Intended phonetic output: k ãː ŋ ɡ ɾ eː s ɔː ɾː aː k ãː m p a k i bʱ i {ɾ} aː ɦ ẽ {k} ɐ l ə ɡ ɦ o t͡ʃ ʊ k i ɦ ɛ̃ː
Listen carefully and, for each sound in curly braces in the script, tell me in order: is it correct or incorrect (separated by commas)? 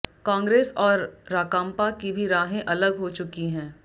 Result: correct, incorrect